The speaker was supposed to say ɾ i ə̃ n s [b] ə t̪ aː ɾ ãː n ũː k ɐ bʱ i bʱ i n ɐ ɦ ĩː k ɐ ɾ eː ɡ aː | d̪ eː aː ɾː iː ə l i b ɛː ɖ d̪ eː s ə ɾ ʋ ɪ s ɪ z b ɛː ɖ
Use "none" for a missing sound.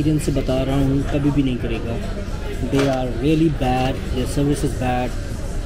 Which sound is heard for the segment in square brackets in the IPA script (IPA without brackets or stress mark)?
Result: b